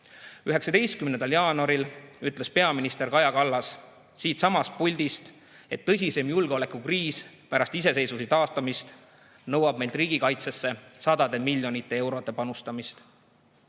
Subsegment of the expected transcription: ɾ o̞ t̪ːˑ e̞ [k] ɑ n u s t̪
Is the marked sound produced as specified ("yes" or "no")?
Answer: no